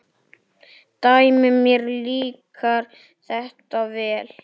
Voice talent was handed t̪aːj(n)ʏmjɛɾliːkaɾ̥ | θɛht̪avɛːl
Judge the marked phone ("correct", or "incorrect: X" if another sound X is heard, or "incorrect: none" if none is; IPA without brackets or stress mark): incorrect: m